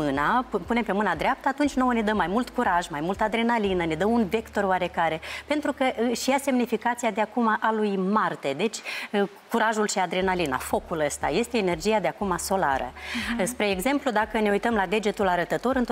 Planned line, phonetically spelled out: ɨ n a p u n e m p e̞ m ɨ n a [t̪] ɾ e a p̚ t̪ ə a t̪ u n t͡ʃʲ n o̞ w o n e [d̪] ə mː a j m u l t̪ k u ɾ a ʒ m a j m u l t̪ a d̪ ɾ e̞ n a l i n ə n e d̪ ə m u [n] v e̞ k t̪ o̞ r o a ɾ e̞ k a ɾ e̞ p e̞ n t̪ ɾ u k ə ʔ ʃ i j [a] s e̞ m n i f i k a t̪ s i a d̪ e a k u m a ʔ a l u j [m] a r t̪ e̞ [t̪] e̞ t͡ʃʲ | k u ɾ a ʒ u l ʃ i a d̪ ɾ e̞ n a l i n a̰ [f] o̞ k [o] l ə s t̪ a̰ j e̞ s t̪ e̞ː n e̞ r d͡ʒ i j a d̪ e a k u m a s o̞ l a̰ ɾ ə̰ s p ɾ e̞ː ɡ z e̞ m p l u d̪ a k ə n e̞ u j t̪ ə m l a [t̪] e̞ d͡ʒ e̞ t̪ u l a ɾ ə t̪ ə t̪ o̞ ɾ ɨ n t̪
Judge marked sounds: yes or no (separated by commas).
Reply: no, yes, yes, yes, yes, no, yes, no, no